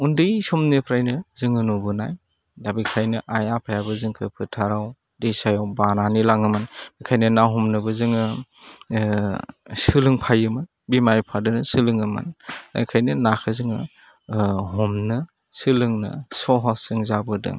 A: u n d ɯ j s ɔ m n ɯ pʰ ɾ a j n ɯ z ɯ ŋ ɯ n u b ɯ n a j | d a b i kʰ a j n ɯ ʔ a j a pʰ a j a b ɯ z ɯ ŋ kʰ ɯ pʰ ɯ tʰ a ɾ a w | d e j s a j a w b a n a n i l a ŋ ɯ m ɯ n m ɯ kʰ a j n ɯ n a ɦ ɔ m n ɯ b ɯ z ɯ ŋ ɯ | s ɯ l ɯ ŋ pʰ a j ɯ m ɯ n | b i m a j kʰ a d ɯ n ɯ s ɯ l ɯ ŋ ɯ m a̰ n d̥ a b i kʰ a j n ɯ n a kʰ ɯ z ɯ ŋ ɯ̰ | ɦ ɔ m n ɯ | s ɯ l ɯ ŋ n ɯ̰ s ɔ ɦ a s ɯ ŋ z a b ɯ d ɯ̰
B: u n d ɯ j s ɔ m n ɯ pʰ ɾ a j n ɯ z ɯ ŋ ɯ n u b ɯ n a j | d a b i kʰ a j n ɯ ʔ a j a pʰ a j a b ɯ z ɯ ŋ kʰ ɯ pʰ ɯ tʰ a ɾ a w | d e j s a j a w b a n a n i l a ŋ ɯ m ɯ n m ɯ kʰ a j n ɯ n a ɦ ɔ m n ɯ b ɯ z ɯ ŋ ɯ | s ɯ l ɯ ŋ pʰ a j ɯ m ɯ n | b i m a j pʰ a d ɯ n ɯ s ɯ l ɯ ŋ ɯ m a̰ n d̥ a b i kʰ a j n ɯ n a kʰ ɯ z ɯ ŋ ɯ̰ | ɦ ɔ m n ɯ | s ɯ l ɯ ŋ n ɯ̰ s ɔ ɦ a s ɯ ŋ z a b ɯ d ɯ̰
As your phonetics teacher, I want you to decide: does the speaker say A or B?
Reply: B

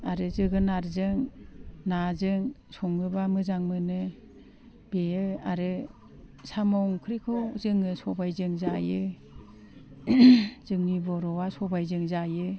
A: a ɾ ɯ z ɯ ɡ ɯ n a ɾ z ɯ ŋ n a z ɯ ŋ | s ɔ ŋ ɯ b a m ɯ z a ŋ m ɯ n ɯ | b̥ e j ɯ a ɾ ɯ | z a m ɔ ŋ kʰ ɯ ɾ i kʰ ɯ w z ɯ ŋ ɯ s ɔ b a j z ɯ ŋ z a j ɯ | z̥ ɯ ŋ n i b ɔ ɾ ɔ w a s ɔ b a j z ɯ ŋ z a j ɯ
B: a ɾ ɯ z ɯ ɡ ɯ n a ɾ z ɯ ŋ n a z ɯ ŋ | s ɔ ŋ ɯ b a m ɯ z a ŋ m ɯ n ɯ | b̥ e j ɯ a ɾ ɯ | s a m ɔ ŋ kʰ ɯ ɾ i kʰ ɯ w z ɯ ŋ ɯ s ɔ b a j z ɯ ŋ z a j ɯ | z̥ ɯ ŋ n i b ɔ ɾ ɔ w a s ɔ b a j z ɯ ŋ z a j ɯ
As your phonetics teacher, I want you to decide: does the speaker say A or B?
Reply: B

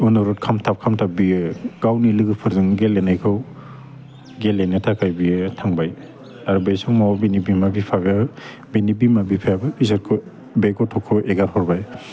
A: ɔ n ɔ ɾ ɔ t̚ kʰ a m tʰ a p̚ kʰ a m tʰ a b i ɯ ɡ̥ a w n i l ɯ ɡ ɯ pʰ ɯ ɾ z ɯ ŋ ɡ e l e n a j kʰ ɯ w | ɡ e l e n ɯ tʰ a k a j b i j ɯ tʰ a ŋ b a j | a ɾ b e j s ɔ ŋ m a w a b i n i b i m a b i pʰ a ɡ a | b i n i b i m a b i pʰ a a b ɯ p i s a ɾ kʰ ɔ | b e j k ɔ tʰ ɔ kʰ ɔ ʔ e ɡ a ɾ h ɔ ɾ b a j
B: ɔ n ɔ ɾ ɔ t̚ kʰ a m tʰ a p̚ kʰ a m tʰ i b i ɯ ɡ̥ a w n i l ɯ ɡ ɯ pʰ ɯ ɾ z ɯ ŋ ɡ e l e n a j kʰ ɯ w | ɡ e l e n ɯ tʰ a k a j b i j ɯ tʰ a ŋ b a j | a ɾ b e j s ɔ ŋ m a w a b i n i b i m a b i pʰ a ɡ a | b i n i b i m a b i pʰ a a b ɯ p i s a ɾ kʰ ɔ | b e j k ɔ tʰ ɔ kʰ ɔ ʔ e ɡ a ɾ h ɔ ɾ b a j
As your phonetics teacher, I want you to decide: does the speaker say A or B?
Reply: A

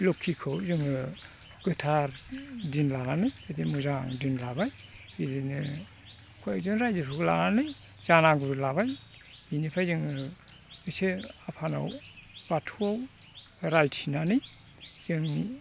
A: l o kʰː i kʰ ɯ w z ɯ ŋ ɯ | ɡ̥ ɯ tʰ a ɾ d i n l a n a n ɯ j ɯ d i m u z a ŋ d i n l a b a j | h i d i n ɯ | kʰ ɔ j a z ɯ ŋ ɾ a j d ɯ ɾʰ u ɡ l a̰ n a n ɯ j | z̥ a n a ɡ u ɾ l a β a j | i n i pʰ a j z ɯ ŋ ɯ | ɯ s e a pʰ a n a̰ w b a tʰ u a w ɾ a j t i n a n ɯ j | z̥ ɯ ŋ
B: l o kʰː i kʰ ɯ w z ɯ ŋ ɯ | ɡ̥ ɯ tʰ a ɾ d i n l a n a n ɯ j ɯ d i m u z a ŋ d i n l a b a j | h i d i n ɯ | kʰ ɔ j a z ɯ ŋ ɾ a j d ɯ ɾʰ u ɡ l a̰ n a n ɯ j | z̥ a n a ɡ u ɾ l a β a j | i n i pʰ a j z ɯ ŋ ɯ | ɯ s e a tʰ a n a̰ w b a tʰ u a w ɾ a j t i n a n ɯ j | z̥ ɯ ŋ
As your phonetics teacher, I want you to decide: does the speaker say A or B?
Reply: A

